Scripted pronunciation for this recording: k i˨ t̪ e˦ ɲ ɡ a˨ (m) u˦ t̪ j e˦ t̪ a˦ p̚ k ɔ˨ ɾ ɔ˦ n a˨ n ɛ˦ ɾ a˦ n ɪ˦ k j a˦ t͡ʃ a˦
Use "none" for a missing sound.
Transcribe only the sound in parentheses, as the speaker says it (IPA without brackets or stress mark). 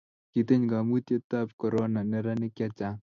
m